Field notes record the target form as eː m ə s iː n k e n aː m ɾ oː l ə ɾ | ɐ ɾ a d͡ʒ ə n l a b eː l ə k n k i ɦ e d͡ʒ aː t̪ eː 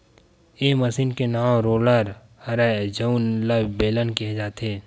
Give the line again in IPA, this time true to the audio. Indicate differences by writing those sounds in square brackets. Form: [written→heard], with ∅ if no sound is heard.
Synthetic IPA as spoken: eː m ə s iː n k e n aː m ɾ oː l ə ɾ | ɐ ɾ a d͡ʒ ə n l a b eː l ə [k→∅] n k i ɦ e d͡ʒ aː t̪ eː